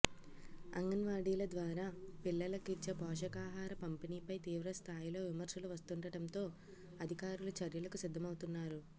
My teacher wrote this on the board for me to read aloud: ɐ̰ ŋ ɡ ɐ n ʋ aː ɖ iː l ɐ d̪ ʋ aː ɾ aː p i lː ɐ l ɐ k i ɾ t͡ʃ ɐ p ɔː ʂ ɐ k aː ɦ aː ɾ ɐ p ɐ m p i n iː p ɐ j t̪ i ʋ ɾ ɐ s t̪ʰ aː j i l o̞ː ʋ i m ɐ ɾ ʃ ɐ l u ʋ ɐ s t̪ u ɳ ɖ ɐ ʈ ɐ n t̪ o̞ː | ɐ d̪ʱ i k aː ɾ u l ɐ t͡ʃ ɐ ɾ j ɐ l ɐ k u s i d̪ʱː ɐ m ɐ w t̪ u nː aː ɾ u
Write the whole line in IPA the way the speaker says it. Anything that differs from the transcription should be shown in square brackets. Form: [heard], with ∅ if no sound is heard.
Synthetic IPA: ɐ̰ ŋ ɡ ɐ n ʋ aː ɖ iː l ɐ d̪ ʋ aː ɾ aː p i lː ɐ l ɐ k i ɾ t͡ʃ ɐ p ɔː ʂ ɐ k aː ɦ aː ɾ ɐ p ɐ m p i n iː p ɐ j t̪ [iː] ʋ ɾ ɐ s t̪ʰ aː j i l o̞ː ʋ i m ɐ ɾ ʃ ɐ l u ʋ ɐ s t̪ u ɳ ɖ ɐ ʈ ɐ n t̪ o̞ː | ɐ d̪ʱ i k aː ɾ u l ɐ t͡ʃ ɐ ɾ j ɐ l ɐ k u s i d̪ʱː ɐ m ɐ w t̪ u nː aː ɾ u